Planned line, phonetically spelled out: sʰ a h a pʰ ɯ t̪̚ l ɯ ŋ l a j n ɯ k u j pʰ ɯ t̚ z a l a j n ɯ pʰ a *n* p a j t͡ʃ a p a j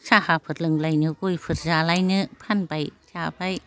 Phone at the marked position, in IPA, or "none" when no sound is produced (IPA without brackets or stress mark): n